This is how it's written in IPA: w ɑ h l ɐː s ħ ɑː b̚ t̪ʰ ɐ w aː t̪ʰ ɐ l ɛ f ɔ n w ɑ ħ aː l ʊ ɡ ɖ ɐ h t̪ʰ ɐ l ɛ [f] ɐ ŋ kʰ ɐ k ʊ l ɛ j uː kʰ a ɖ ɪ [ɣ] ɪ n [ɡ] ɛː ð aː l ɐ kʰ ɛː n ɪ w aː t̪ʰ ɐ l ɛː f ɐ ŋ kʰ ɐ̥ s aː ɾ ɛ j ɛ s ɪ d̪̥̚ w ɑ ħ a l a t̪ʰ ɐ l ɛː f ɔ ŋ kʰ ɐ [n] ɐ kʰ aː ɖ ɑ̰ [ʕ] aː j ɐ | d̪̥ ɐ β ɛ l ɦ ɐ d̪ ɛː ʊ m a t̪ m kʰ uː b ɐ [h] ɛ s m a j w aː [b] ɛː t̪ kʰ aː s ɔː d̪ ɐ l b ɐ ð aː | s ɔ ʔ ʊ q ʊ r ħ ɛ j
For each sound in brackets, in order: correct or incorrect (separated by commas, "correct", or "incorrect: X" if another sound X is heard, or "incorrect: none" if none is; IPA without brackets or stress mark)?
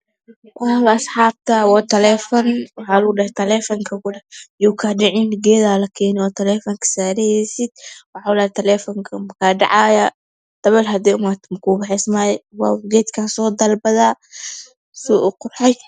correct, incorrect: ʕ, correct, incorrect: m, correct, incorrect: ħ, incorrect: ɡ